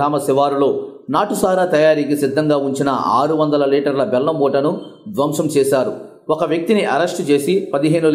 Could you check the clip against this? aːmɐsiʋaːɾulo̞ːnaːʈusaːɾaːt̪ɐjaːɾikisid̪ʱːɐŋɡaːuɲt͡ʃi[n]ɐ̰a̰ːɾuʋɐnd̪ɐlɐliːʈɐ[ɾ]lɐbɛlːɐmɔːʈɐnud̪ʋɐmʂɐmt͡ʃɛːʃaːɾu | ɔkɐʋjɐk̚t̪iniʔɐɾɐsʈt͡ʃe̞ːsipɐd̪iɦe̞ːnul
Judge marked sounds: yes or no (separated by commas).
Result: yes, yes